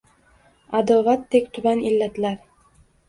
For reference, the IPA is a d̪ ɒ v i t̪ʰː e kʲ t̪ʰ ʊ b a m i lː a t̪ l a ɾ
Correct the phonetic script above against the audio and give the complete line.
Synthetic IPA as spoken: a d̪ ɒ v a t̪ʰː e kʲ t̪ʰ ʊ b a n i lː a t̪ l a ɾ